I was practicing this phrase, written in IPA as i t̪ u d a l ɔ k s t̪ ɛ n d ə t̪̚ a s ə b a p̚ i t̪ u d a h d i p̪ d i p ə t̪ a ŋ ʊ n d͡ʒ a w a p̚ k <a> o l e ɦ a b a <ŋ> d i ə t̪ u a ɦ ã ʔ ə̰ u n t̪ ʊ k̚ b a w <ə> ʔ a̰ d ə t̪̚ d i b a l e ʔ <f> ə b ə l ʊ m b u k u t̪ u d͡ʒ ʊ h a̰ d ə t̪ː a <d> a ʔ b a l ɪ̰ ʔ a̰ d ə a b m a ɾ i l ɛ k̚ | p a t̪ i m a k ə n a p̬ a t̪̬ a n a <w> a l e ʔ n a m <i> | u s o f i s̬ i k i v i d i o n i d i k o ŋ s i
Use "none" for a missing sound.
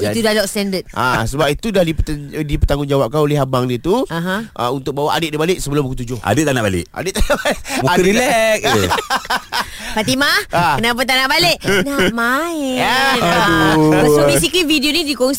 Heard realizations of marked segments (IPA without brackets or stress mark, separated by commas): a, ŋ, a, s, n, b, a